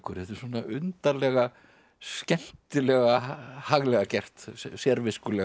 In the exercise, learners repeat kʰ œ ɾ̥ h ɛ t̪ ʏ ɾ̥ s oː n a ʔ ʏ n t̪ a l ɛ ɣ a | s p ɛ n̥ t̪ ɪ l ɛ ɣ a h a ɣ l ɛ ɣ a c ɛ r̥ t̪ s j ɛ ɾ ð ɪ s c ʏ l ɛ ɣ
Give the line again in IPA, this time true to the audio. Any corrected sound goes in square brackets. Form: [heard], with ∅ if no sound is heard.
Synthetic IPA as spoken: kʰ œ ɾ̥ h ɛ t̪ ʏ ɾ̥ s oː n a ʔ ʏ n t̪ a l ɛ ɣ a | s [c] ɛ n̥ t̪ ɪ l ɛ ɣ a h a ɣ l ɛ ɣ a c ɛ r̥ t̪ s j ɛ ɾ [v] ɪ s [k] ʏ l ɛ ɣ

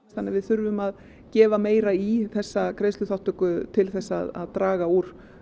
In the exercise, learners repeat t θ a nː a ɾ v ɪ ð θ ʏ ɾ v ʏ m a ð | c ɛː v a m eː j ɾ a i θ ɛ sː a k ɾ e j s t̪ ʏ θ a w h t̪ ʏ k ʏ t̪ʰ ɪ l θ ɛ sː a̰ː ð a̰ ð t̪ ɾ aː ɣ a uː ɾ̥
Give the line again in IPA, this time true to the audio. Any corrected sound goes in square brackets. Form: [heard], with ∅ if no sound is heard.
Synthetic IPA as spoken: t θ a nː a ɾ v ɪ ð θ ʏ ɾ v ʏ m a ð | c ɛː v a m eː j ɾ a i θ ɛ sː a k ɾ e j s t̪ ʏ θ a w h t̪ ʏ k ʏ t̪ʰ ɪ l θ ɛ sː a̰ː ð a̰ ð t̪ ɾ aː ɣ a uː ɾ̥

